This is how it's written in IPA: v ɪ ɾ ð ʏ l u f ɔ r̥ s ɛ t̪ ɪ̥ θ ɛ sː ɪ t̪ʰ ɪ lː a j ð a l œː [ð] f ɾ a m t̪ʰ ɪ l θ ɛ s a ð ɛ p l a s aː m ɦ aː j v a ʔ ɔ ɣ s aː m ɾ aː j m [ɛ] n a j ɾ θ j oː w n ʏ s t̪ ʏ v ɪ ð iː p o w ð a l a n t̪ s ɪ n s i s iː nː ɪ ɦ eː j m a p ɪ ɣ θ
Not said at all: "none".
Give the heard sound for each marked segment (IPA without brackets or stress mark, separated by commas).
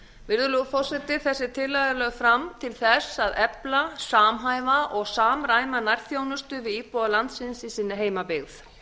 ɣ, a